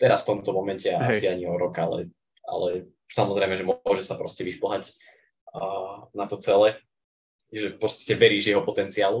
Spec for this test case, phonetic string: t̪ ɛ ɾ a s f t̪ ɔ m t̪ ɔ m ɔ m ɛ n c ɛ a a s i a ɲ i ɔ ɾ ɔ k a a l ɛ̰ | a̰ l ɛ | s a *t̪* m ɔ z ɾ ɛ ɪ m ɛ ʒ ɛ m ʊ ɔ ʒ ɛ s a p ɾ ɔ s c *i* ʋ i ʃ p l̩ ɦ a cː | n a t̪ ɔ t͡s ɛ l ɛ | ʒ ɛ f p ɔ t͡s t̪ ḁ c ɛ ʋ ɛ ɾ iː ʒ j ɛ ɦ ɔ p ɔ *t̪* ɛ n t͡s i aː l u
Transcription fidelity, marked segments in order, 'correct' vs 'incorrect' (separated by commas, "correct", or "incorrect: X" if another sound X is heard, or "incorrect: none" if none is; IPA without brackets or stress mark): incorrect: none, incorrect: ɛ, correct